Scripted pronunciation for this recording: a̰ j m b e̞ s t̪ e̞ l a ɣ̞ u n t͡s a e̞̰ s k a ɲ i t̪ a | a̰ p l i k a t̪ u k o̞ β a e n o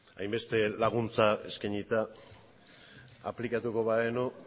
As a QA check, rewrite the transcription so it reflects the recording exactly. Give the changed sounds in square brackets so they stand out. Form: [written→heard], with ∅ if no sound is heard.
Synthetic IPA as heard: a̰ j m b e̞ s t̪ e̞ l a ɣ̞ u n t͡s a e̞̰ s k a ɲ i t̪ a | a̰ p l i k a t̪ u k o̞ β a e n o